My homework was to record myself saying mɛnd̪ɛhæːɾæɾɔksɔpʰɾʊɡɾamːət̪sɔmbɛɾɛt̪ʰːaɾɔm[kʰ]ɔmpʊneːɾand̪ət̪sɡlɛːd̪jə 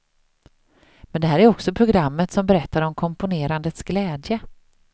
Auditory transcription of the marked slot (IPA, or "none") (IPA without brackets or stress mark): kʰ